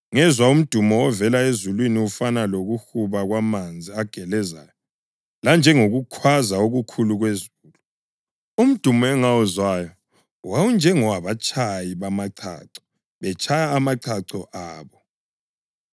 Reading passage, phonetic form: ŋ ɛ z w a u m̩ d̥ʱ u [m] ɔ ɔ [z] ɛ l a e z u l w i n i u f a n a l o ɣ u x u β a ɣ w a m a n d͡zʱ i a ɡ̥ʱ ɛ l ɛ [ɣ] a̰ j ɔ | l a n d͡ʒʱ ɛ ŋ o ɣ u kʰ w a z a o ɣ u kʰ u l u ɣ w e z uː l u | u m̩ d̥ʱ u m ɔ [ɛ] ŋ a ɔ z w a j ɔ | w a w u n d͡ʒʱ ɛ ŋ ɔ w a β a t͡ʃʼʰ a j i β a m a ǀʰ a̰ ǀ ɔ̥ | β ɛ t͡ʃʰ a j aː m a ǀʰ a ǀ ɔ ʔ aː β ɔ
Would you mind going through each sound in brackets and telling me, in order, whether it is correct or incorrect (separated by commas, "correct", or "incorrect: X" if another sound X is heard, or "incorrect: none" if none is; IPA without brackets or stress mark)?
correct, incorrect: v, incorrect: z, correct